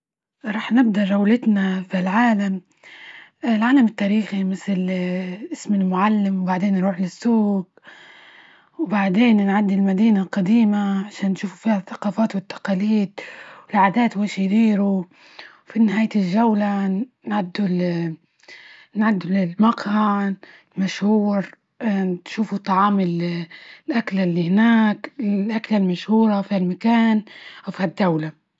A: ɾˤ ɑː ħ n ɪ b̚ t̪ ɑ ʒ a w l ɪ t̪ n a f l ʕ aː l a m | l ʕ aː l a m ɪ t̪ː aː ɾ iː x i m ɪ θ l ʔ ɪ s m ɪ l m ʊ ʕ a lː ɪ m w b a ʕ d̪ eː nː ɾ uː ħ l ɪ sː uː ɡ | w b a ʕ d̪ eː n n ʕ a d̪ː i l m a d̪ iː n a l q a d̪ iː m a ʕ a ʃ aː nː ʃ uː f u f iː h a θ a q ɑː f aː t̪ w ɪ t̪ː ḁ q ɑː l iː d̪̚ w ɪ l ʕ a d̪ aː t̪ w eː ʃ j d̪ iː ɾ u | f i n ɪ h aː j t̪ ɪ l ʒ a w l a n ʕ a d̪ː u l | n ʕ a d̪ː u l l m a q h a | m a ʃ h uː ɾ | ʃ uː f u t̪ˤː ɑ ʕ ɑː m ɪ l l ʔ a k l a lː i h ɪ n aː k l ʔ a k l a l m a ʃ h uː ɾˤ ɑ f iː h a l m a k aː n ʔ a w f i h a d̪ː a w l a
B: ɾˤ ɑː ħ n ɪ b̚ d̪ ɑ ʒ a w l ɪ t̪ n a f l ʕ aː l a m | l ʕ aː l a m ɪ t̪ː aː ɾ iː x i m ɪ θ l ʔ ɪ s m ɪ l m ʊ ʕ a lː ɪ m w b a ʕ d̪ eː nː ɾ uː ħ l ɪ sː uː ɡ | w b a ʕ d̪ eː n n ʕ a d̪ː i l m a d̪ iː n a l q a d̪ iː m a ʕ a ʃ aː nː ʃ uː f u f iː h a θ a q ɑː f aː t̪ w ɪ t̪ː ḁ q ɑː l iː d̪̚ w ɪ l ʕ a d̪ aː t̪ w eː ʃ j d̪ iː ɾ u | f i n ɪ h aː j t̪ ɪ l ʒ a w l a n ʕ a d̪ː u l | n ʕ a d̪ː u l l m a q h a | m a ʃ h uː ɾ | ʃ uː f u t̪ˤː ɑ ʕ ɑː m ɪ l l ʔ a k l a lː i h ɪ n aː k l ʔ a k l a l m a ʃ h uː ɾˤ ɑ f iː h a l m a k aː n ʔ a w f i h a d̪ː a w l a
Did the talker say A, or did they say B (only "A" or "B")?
B